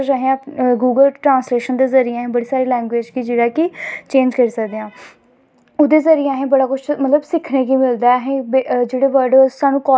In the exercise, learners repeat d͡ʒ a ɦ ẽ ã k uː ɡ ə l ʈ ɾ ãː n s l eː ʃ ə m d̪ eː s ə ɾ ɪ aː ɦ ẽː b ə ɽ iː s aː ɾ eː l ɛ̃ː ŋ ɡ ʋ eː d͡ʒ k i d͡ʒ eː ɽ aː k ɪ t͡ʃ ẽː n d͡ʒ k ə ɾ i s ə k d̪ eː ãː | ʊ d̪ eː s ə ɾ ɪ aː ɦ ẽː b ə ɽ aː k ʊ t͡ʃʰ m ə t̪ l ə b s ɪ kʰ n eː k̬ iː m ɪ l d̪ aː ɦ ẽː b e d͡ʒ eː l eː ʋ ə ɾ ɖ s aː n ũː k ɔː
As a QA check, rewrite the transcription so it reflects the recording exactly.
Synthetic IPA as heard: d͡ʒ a ɦ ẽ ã ɡ uː ɡ ə l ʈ ɾ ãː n s l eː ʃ ə n d̪ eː z ə ɾ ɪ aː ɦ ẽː b ə ɽ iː s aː ɾ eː l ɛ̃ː ŋ ɡ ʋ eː d͡ʒ k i d͡ʒ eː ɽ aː k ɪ t͡ʃ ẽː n d͡ʒ k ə ɾ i s ə k d̪ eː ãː | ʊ d̪ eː z ə ɾ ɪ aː ɦ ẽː b ə ɽ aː k ʊ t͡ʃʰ m ə t̪ l ə b s ɪ kʰ n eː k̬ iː m ɪ l d̪ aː ɦ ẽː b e d͡ʒ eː ɽ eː ʋ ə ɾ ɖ s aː n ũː k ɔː